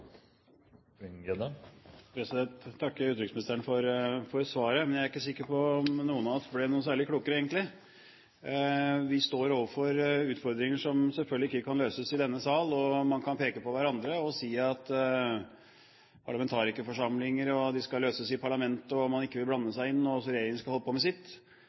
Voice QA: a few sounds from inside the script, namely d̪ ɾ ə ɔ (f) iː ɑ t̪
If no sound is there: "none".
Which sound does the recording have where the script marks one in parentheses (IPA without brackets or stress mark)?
s